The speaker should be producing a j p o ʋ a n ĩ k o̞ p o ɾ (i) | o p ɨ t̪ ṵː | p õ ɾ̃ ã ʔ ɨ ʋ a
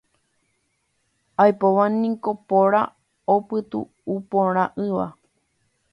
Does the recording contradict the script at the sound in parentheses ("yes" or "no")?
yes